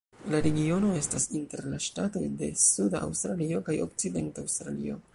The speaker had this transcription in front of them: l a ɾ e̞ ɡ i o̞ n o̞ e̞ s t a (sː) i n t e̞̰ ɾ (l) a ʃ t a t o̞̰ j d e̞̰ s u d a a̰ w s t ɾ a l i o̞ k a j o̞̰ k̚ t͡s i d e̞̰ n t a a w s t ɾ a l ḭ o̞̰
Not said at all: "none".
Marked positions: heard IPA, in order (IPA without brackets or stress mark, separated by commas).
s, l